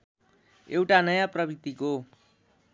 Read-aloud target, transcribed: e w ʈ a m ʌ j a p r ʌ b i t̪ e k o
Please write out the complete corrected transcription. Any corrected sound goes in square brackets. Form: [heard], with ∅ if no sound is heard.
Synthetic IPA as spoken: e w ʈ a [n] ʌ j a p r ʌ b i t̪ [i] k o